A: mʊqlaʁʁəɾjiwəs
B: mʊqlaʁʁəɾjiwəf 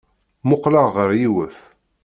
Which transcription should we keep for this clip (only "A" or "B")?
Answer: B